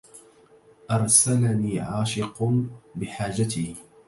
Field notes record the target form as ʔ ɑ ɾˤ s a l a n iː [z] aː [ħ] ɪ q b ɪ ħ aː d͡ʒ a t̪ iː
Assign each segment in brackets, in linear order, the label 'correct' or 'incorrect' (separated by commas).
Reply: incorrect, incorrect